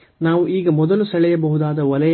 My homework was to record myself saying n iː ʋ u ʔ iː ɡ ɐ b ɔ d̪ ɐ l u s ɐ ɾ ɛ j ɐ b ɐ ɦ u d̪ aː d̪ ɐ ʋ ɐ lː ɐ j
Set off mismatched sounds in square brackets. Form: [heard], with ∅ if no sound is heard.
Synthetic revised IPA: n [aː] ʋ u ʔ iː ɡ ɐ [m] ɔ d̪ ɐ l u s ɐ [ɭ] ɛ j ɐ b ɐ ɦ u d̪ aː d̪ ɐ ʋ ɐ [l] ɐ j